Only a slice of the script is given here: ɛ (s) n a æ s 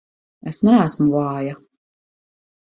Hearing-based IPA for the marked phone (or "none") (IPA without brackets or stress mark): s